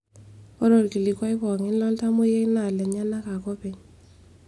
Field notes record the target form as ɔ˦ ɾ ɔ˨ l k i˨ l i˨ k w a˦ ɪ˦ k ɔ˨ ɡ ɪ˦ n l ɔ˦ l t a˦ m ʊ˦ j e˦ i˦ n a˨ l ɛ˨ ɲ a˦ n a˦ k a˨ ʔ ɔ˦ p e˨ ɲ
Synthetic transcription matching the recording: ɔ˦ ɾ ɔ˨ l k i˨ l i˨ k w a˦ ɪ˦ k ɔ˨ ŋ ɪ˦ n l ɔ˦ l t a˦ m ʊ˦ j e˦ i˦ n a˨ l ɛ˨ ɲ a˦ n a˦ k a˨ k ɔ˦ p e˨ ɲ